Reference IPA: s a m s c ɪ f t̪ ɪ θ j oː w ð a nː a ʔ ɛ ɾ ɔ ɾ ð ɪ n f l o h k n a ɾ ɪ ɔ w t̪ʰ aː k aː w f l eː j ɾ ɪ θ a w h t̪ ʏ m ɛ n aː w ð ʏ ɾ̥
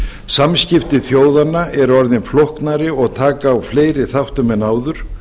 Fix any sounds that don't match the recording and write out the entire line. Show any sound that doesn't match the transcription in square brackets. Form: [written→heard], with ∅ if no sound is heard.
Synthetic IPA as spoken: s a m s c ɪ f t̪ ɪ θ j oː w ð a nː a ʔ ɛ ɾ ɔ ɾ ð ɪ n f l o h k n a ɾ ɪ ɔ [w→ɣ] t̪ʰ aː k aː w f l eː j ɾ ɪ θ a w h t̪ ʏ m ɛ n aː w ð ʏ ɾ̥